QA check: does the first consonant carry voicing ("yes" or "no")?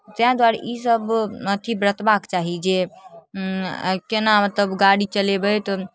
no